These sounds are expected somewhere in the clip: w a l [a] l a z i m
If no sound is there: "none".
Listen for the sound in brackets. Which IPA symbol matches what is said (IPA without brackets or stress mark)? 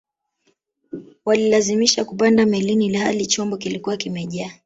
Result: i